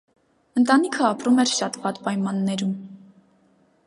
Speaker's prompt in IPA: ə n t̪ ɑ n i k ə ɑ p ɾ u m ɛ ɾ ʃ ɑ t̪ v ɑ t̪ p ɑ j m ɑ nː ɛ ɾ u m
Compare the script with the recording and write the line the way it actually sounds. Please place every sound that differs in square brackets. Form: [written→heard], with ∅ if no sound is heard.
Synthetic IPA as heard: ə n t̪ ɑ n i [k→kʰ] ə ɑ p ɾ u m ɛ ɾ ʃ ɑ t̪ v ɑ t̪ p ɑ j m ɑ nː ɛ ɾ u m

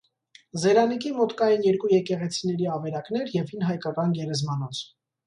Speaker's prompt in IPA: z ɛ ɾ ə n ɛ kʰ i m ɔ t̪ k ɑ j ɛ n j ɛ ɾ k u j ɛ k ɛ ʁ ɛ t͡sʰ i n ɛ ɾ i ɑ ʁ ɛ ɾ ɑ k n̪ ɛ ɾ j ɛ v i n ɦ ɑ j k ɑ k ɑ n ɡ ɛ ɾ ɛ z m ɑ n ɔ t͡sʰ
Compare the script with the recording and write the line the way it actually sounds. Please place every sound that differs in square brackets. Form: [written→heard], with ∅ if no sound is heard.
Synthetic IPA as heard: z ɛ ɾ [ə→ɑ] n [ɛ→i] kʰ i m ɔ t̪ k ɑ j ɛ n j ɛ ɾ k u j ɛ k ɛ ʁ ɛ t͡sʰ i n ɛ ɾ i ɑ [ʁ→v] ɛ ɾ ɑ k n̪ ɛ ɾ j ɛ v i n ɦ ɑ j k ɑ k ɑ n ɡ ɛ ɾ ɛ z m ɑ n ɔ t͡sʰ

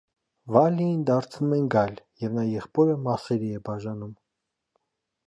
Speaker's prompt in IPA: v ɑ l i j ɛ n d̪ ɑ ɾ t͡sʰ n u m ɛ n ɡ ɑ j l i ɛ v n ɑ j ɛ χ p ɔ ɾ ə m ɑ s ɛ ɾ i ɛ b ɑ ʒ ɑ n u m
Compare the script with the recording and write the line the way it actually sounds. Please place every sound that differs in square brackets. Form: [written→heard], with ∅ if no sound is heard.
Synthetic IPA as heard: v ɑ l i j [ɛ→i] n d̪ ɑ ɾ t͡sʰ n u m ɛ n ɡ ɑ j l [i→j] ɛ v n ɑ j ɛ χ p ɔ ɾ ə m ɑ s ɛ ɾ i ɛ b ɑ ʒ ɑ n u m

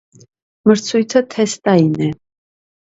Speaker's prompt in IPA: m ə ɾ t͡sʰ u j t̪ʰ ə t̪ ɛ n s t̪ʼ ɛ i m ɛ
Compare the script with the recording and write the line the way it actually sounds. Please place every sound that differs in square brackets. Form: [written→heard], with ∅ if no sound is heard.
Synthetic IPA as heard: m ə ɾ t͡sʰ u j t̪ʰ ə [t̪→t̪ʰ] ɛ [n→∅] s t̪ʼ [ɛ→a] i [m→n] ɛ

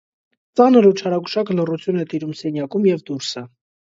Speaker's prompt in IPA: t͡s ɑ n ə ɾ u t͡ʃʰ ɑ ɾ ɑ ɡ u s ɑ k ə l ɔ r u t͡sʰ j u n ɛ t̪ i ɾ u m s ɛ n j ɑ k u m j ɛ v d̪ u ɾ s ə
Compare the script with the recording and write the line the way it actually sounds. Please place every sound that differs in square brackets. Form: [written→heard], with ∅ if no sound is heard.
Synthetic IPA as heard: t͡s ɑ n ə ɾ u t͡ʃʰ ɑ ɾ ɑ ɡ u [s→ʃ] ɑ k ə l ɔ r u t͡sʰ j u n ɛ t̪ i ɾ u m s ɛ n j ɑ k u m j ɛ v d̪ u ɾ s ə

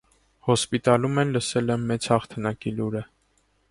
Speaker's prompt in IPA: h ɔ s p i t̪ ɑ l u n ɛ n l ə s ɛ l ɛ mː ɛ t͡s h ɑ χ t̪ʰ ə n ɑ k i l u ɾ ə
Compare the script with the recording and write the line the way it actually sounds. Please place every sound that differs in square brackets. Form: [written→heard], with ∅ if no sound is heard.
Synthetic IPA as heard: h ɔ s p i t̪ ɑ l u [n→m] ɛ n l ə s ɛ l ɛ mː ɛ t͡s h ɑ χ t̪ʰ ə n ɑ k i l u ɾ ə

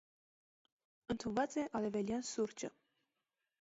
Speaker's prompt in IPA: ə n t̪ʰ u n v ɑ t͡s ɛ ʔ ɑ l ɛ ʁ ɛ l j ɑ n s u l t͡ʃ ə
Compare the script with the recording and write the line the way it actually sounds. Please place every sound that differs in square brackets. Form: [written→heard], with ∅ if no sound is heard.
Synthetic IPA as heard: ə n t̪ʰ u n v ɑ t͡s ɛ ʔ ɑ l ɛ [ʁ→v] ɛ l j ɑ n s u [l→ɾ] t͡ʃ ə

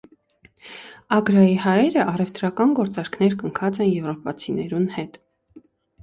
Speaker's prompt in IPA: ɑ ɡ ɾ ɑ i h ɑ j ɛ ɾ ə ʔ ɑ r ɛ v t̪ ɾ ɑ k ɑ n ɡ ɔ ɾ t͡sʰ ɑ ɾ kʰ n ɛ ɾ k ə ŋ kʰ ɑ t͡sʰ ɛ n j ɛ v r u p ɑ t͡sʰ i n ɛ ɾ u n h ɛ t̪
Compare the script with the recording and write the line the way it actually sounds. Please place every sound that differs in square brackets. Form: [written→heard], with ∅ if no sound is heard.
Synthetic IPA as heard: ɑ ɡ ɾ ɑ i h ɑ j ɛ ɾ ə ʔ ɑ r ɛ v t̪ ɾ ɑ k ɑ n ɡ ɔ ɾ [t͡sʰ→t͡s] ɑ ɾ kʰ n ɛ ɾ k ə ŋ kʰ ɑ [t͡sʰ→t͡s] ɛ n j ɛ v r [u→ɔ] p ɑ t͡sʰ i n ɛ ɾ u n h ɛ t̪

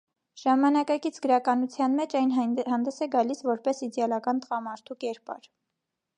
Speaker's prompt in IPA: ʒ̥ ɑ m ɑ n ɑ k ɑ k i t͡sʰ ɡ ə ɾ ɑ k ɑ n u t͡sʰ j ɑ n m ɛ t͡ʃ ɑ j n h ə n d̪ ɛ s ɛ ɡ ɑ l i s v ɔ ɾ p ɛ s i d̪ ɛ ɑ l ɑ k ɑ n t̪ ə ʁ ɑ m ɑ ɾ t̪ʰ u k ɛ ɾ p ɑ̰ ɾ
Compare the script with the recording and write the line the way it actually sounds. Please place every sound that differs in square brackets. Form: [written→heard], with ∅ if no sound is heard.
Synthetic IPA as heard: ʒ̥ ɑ m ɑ n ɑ k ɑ k i t͡sʰ ɡ ə ɾ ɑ k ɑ n u t͡sʰ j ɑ n m ɛ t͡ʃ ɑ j n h [ə→ɑ] n d̪ ɛ s ɛ ɡ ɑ l i s v ɔ ɾ p ɛ s i d̪ ɛ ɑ l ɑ k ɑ n t̪ ə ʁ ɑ m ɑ ɾ t̪ʰ u k ɛ ɾ p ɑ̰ ɾ

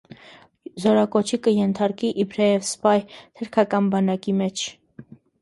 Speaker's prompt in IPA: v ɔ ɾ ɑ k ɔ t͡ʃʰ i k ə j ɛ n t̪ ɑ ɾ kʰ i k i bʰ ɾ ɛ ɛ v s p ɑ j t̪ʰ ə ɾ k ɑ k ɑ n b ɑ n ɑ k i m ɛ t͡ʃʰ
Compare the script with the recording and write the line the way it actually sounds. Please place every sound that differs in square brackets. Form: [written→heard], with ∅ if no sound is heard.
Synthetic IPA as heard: [v→z] ɔ ɾ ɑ k ɔ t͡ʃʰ i k ə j ɛ n [t̪→t̪ʰ] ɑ ɾ [kʰ→k] i [k→ʔ] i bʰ ɾ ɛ ɛ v s p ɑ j t̪ʰ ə ɾ [k→kʰ] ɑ k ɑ n b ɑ n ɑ k i m ɛ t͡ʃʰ

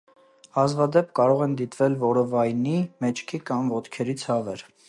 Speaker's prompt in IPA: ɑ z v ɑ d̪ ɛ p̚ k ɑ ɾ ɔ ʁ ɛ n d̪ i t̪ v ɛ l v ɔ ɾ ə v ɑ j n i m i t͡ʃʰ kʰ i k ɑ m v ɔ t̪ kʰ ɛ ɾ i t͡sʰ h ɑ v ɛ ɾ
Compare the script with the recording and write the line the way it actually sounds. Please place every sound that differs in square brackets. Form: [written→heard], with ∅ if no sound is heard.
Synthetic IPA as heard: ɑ z v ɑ d̪ ɛ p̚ k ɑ ɾ ɔ ʁ ɛ n d̪ i t̪ v ɛ l v ɔ ɾ ə v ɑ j n i m [i→ɛ] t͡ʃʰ kʰ i k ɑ m v ɔ t̪ kʰ ɛ ɾ i t͡sʰ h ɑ v ɛ ɾ

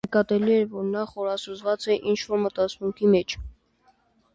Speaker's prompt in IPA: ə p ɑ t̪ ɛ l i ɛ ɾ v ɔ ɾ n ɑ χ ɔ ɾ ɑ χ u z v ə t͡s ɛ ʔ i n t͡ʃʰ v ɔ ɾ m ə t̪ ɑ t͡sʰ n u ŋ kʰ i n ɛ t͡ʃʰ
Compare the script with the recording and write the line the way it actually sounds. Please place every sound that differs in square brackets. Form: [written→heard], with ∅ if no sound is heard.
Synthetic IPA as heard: ə [p→k] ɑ t̪ ɛ l i ɛ ɾ v ɔ ɾ n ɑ χ ɔ ɾ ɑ [χ→s] u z v [ə→ɑ] t͡s ɛ ʔ i n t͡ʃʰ v ɔ ɾ m ə t̪ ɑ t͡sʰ [n→m] u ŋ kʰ i [n→m] ɛ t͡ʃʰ

